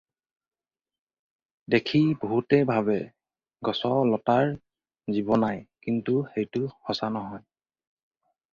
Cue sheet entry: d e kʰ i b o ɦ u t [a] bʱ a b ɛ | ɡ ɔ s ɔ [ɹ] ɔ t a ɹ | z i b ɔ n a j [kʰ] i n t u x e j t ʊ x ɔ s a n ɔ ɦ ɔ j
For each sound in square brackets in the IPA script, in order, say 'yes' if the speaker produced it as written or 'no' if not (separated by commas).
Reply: no, no, no